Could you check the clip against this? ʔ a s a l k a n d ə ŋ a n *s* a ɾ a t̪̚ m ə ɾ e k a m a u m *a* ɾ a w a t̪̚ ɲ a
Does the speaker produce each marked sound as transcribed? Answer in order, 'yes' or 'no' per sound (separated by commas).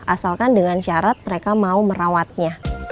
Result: no, no